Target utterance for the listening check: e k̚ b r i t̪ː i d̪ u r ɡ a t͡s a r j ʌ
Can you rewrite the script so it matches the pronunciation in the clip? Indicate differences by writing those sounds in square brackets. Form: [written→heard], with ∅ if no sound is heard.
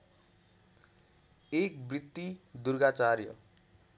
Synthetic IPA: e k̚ b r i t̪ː i d̪ u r ɡ a t͡s a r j ʌ